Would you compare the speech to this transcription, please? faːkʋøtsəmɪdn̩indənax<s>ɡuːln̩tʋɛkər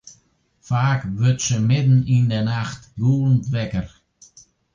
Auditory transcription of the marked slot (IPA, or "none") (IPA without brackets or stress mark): t